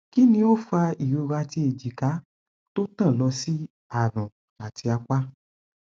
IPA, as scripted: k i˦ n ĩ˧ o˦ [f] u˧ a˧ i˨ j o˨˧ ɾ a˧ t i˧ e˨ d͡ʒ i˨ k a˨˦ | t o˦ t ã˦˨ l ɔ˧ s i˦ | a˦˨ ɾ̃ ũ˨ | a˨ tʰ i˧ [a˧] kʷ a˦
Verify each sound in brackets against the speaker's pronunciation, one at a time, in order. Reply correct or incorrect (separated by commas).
correct, correct